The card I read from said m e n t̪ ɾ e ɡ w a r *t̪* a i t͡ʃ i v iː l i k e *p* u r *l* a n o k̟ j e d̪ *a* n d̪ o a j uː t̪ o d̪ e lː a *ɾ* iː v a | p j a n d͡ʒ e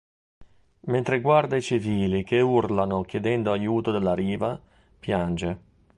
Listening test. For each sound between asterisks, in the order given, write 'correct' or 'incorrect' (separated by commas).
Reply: incorrect, incorrect, correct, incorrect, correct